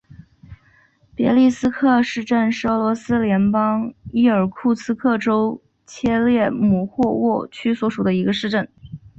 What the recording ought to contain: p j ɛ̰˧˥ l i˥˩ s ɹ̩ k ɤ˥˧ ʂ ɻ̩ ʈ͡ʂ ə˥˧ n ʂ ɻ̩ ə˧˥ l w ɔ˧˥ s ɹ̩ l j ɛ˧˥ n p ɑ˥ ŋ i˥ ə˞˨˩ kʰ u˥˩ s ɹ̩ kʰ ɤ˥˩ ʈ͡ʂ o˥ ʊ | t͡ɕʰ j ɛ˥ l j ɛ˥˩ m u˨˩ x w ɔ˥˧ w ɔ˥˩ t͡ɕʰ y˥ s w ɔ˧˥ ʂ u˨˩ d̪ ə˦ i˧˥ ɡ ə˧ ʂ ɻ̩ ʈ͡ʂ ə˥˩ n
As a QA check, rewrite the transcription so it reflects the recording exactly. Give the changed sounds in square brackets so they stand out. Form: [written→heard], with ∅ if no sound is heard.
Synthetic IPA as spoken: p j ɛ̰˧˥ l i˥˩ s ɹ̩ [k→kʰ] ɤ˥˧ ʂ ɻ̩ ʈ͡ʂ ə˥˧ n ʂ ɻ̩ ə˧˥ l w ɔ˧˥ s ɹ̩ l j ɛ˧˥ n p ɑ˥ ŋ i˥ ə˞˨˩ kʰ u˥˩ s ɹ̩ kʰ ɤ˥˩ ʈ͡ʂ o˥ ʊ | t͡ɕʰ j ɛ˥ l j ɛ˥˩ m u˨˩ x w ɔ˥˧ w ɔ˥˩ t͡ɕʰ y˥ s w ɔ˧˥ ʂ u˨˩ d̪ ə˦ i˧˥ ɡ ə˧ ʂ ɻ̩ ʈ͡ʂ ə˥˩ n